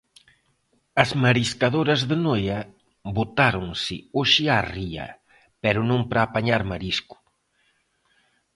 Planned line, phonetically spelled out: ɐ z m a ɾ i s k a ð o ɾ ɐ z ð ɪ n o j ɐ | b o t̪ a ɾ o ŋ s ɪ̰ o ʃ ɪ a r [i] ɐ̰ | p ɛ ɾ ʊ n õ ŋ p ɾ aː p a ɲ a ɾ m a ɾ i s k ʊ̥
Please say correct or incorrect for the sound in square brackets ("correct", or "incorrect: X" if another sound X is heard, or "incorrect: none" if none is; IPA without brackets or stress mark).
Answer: correct